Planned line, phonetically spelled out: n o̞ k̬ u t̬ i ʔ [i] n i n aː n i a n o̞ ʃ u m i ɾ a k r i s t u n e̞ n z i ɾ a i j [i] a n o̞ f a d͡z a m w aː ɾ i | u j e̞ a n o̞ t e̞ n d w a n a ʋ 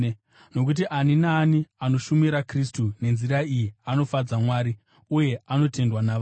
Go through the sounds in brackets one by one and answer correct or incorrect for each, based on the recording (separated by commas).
incorrect, correct